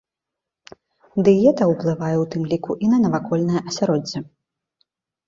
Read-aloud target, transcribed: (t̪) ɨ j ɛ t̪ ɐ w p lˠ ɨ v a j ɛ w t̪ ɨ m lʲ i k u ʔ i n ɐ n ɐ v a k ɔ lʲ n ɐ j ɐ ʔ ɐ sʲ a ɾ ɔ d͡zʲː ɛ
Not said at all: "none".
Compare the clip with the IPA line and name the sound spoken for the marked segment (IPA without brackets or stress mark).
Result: d̪